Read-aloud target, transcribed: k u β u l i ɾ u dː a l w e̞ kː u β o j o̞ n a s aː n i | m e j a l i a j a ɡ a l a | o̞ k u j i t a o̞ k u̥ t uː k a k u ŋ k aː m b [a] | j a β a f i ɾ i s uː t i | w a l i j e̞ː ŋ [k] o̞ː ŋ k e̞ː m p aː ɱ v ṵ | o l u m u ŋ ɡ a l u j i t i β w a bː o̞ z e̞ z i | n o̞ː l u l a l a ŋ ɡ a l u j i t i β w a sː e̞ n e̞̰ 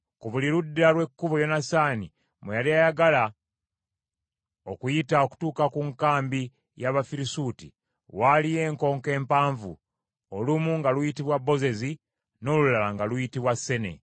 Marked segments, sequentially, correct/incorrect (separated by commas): incorrect, correct